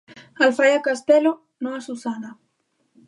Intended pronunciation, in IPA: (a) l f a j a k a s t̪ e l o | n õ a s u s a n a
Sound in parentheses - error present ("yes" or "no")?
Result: no